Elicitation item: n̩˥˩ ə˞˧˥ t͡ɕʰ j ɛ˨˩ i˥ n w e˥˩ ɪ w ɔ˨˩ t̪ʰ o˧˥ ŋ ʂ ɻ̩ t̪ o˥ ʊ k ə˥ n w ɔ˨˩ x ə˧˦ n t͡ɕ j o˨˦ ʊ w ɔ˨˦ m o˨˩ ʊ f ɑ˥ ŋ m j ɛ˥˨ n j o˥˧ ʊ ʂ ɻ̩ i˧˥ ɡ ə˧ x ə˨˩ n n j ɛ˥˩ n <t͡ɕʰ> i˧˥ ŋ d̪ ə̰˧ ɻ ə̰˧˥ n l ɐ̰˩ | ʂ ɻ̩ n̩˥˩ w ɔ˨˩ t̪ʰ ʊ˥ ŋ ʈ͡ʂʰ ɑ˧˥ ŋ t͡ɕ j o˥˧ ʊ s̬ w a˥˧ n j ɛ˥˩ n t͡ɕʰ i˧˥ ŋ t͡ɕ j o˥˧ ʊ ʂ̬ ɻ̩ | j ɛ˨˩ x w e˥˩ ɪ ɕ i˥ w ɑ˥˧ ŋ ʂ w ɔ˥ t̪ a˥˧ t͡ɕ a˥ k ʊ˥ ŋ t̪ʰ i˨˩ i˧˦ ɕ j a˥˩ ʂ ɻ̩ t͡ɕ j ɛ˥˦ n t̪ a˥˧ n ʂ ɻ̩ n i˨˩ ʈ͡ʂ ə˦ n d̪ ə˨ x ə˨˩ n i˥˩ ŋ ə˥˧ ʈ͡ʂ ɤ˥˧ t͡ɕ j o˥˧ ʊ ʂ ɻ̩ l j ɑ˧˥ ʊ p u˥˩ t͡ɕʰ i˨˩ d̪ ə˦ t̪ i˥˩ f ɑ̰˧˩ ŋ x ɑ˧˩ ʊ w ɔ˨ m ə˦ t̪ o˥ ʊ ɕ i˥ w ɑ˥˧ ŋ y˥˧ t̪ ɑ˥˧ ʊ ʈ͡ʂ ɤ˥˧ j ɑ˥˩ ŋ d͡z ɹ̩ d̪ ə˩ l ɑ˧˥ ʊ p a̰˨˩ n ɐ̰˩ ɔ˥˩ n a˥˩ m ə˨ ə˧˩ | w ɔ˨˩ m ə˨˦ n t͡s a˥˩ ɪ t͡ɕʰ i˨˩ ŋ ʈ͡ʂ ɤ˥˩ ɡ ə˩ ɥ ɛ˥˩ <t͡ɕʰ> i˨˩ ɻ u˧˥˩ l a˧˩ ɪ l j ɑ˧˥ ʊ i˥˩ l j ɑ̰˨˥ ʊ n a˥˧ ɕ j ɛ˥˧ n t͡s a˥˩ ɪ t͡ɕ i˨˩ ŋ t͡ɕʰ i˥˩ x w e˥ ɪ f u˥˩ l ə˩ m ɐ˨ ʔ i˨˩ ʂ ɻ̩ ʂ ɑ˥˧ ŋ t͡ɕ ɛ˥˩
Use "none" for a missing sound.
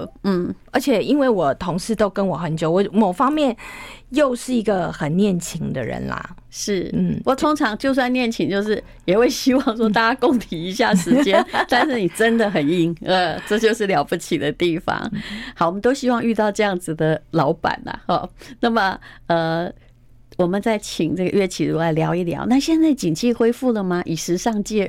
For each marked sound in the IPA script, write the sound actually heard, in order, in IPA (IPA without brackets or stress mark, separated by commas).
t͡ɕʰ, t͡ɕʰ